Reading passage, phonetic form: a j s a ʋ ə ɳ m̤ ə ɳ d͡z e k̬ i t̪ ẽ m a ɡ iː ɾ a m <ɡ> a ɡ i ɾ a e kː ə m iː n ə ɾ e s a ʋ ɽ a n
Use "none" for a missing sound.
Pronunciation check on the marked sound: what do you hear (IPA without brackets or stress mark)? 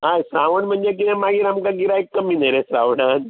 k